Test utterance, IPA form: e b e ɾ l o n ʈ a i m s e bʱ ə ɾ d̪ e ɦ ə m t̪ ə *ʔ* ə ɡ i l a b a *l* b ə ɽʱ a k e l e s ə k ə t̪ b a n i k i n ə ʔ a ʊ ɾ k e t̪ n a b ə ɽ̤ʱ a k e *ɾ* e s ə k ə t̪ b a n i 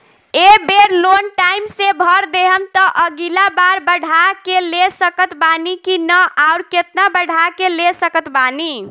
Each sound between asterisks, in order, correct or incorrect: correct, incorrect: ɾ, incorrect: l

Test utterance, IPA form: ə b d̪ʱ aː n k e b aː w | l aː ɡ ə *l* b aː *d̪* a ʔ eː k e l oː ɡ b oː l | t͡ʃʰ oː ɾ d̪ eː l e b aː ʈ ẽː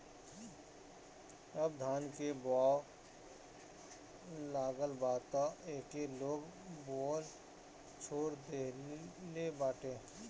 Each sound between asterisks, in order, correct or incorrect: correct, incorrect: t̪

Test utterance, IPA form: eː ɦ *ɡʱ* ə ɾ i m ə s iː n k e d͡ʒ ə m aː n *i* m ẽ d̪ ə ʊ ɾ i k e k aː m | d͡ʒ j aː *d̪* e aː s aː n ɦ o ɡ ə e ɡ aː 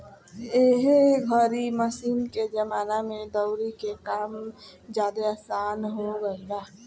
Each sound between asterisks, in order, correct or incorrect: correct, incorrect: a, correct

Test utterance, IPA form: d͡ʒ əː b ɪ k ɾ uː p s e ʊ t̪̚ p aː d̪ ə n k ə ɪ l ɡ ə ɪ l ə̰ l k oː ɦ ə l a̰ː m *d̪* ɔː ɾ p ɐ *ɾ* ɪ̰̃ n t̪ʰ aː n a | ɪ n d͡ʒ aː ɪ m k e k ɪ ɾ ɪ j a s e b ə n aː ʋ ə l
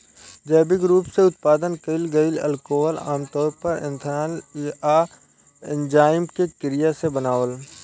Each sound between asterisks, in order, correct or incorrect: incorrect: t̪, correct

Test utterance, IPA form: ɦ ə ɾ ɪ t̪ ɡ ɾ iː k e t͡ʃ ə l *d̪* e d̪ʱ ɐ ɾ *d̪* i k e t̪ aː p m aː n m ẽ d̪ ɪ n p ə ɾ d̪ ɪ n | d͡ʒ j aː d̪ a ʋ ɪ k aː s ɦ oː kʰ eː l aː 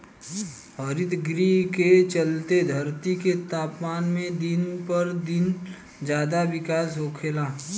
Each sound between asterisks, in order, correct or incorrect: incorrect: t̪, incorrect: t̪

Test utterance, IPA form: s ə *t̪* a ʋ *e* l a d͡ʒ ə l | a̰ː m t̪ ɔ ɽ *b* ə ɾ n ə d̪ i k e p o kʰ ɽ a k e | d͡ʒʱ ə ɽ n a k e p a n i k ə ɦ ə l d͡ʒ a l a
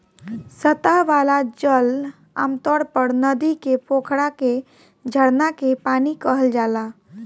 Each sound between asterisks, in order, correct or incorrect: correct, incorrect: a, incorrect: p

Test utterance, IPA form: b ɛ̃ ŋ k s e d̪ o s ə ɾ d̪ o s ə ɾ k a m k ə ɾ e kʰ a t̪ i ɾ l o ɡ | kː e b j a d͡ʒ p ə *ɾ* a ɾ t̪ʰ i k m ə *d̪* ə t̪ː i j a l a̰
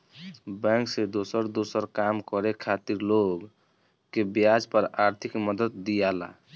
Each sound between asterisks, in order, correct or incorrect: correct, correct

